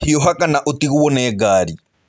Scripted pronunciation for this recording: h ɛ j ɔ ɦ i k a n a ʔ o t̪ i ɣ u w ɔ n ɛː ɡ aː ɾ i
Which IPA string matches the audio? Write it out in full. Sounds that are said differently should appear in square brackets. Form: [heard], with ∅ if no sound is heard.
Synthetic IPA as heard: h [i] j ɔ ɦ [a] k a n a ʔ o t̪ i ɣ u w ɔ n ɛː ɡ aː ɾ i